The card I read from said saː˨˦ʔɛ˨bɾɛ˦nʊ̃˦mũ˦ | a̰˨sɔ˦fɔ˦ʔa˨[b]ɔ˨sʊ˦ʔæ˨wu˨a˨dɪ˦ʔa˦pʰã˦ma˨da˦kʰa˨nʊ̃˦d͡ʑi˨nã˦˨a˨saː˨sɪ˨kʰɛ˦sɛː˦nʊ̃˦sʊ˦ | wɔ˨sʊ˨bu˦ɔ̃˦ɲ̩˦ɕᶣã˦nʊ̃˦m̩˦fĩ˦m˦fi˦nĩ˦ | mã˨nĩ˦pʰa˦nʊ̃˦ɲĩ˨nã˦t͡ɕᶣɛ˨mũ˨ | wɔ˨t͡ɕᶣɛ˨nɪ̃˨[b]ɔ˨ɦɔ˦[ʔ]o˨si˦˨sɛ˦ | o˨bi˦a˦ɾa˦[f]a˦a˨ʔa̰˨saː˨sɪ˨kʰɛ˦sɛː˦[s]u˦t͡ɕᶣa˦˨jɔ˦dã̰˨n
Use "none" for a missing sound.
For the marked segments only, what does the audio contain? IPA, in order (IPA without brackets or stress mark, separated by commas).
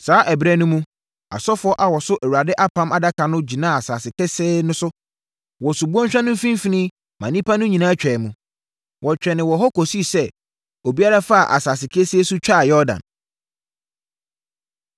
w, w, k, f, s